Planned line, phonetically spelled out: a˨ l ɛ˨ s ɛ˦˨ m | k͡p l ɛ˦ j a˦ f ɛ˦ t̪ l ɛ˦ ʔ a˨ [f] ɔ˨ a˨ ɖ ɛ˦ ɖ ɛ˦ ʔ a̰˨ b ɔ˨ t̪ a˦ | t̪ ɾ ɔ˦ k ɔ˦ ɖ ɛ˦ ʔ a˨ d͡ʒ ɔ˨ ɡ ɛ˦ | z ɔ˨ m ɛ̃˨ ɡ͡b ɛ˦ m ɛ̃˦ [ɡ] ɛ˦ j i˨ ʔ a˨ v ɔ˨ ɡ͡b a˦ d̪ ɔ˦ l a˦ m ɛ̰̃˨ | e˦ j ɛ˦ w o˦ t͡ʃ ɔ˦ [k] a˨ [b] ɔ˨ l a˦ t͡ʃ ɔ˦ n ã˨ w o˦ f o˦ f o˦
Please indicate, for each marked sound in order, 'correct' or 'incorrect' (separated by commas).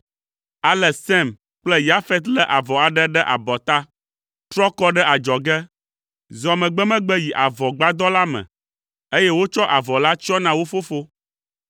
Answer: incorrect, incorrect, incorrect, incorrect